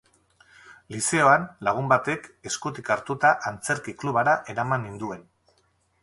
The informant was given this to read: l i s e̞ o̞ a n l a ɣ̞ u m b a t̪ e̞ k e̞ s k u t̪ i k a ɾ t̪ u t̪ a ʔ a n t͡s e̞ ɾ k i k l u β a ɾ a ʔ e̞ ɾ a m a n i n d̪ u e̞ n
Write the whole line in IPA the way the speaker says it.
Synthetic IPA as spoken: l i s e̞ o̞ a n l a ɣ̞ u m b a t̪ e̞ k e̞ s k u t̪ i k a ɾ t̪ u t̪ a ʔ a n t͡s e̞ ɾ k i k l u β a ɾ a ʔ e̞ ɾ a m a n i n d̪ u e̞ n